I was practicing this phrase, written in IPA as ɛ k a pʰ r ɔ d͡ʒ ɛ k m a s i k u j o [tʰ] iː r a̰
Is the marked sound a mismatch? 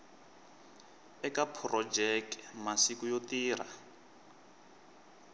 yes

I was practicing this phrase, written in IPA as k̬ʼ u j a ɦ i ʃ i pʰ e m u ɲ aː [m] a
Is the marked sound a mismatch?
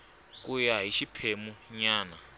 yes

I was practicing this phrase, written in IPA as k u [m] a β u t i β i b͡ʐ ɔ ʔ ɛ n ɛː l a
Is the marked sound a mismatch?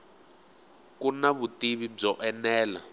yes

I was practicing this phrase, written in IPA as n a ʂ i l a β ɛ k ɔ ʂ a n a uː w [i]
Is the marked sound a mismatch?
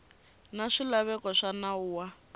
yes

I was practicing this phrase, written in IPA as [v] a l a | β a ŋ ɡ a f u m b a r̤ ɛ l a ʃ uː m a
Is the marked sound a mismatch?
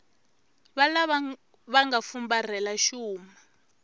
yes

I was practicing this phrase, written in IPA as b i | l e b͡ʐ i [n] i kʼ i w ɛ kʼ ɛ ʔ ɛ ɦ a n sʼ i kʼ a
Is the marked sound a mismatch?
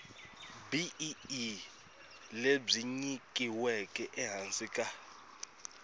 yes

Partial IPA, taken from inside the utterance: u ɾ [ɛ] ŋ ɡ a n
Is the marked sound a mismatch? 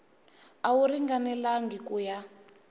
yes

